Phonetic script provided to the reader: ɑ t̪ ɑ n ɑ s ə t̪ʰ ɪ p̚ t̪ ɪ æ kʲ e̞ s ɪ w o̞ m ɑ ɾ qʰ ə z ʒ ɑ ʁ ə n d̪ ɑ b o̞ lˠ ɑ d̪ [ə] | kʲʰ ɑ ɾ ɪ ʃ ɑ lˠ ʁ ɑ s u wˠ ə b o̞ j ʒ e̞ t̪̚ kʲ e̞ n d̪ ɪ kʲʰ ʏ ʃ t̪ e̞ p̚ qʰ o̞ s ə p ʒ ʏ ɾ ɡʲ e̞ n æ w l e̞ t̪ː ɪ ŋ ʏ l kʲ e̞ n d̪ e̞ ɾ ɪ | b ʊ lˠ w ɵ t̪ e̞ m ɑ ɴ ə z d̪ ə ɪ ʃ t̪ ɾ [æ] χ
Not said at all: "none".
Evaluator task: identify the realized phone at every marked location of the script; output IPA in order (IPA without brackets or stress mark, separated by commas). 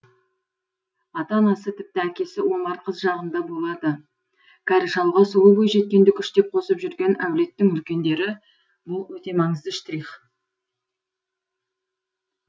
ə, i